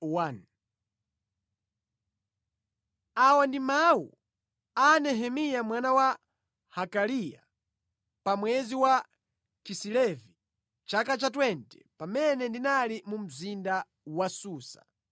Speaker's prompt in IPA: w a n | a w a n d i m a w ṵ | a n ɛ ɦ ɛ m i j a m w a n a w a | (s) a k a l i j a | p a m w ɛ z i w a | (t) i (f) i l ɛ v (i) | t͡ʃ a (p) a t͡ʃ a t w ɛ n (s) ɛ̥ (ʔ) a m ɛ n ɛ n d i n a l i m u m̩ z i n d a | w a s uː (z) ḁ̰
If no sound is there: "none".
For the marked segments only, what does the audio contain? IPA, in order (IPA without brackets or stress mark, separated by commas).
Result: h, k, s, i, k, t, p, s